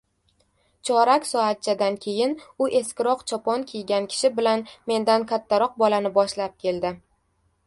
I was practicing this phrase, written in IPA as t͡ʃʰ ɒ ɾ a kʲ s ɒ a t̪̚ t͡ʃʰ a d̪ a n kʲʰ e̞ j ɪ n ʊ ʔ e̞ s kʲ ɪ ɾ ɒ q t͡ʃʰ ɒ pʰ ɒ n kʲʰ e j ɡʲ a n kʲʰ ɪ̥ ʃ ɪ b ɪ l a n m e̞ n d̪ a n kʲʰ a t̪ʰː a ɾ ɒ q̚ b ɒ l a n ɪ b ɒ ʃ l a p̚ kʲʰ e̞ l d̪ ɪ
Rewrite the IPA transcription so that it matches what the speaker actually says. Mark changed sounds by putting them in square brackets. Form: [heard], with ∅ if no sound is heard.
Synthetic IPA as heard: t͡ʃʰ ɒ ɾ a kʲ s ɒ a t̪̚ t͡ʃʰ a d̪ a n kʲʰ e̞ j ɪ n ʊ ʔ e̞ s kʲ ɪ ɾ ɒ q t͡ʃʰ ɒ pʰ ɒ n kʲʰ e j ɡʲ a n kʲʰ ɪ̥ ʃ ɪ b ɪ l a n m e̞ n d̪ a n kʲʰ a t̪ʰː a ɾ ɒ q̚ b ɒ l a n ɪ b ɒ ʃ l a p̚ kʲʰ e̞ l d̪ ɪ

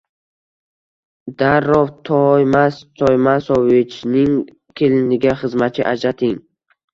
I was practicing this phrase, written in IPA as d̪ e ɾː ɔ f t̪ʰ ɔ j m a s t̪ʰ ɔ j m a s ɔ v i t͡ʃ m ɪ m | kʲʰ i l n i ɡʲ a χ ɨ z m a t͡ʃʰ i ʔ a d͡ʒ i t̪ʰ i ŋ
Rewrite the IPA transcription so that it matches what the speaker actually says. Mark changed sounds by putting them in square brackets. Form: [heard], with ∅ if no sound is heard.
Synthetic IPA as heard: d̪ [a] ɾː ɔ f t̪ʰ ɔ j m a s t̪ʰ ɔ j m a s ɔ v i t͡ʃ [n] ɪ [ŋ] | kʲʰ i l n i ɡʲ a χ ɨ z m a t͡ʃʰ i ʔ a d͡ʒ [a] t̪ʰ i ŋ

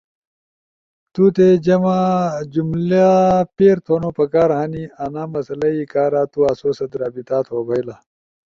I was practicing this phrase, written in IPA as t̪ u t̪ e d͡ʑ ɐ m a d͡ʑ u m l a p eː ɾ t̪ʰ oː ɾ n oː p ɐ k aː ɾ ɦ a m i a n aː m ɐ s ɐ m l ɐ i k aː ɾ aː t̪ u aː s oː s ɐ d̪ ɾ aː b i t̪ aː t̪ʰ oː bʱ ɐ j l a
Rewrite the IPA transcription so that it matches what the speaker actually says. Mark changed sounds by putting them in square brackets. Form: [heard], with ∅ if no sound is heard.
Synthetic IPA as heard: t̪ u t̪ e d͡ʑ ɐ m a d͡ʑ u m l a p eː ɾ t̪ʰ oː [∅] n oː p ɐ k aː ɾ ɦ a [n] i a n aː m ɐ s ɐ [∅] l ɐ i k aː ɾ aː t̪ u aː s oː s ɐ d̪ ɾ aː b i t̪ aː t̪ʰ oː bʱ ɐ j l a

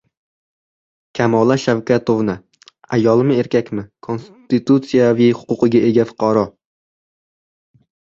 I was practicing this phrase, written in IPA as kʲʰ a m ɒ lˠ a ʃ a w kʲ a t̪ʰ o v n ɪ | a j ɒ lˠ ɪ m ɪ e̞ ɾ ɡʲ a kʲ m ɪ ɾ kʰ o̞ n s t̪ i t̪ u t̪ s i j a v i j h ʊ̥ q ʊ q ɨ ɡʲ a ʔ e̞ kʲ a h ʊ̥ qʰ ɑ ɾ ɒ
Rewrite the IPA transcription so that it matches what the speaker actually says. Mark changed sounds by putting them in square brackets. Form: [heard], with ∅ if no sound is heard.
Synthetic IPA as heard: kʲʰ a m ɒ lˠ a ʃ a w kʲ a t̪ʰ o v n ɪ | a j ɒ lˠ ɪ m ɪ e̞ ɾ [kʲ] a kʲ m ɪ [∅] kʰ o̞ n s t̪ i t̪ u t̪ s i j a v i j h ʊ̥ q ʊ q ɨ ɡʲ a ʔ e̞ [ɡʲ] a [f] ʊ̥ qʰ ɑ ɾ ɒ

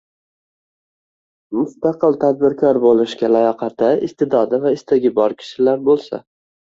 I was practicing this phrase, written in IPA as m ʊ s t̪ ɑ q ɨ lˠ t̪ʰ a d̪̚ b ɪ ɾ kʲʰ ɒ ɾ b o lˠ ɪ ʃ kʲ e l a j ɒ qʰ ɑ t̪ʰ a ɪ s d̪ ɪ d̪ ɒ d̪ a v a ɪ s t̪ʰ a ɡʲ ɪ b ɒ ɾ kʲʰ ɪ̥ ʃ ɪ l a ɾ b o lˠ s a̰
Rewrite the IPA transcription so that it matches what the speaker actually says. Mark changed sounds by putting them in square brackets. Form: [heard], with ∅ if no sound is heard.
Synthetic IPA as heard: m ʊ s t̪ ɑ q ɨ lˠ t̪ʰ a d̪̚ b ɪ ɾ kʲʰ ɒ ɾ b o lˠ ɪ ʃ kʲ [a] l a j ɒ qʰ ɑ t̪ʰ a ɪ s [t̪] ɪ d̪ ɒ d̪ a v a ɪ s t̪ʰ a ɡʲ ɪ b ɒ ɾ kʲʰ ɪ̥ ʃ ɪ l a ɾ b o lˠ s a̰

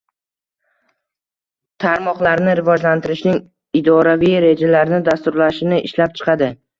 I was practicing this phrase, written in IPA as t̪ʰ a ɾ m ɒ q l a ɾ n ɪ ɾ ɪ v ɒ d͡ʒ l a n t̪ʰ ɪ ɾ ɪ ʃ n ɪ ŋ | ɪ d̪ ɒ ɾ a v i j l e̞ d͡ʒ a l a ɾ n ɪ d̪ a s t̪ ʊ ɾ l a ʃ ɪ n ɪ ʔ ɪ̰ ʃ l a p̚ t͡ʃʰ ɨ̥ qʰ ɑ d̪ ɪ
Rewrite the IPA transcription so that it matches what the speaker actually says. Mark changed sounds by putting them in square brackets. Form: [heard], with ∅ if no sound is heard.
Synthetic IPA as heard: t̪ʰ a ɾ m ɒ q l a ɾ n ɪ ɾ ɪ v ɒ d͡ʒ l a n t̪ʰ ɪ ɾ ɪ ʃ n ɪ ŋ | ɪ d̪ ɒ ɾ a v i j [ɾ] e̞ d͡ʒ a l a ɾ n ɪ d̪ a s t̪ ʊ ɾ l a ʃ ɪ n ɪ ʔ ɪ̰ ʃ l a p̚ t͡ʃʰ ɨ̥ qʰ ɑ d̪ ɪ

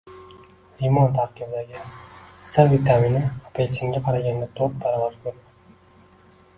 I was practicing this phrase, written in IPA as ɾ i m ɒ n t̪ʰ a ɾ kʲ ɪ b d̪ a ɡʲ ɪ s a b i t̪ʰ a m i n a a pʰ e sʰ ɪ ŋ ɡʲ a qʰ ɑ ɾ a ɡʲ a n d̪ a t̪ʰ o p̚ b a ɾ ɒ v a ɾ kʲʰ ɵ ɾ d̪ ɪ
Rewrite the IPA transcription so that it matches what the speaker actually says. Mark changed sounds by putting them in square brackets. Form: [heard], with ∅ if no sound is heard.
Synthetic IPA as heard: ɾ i m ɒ n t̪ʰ a ɾ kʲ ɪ b d̪ a ɡʲ ɪ s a [v] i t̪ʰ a m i n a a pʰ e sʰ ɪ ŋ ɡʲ a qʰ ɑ ɾ a ɡʲ a n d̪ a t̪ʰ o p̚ b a ɾ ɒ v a ɾ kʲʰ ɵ ɾ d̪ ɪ

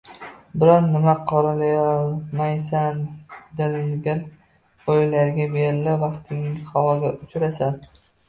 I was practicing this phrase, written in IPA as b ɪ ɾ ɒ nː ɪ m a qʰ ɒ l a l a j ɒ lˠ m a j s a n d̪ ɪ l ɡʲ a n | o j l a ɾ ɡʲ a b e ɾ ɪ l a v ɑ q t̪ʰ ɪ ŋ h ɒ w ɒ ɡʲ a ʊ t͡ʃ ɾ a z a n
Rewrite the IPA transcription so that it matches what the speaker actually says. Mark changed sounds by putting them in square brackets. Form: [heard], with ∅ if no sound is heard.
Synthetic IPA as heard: b ɪ ɾ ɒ nː ɪ m a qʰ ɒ [ɾ] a l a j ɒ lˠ m a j s a n d̪ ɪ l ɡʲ a n | o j l a ɾ ɡʲ a b e ɾ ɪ l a v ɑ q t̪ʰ ɪ ŋ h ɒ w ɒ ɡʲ a ʊ t͡ʃ ɾ a [s] a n

